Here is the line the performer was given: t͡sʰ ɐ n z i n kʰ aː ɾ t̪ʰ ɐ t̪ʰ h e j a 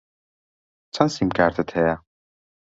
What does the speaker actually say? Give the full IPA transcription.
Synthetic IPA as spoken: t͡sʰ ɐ n s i m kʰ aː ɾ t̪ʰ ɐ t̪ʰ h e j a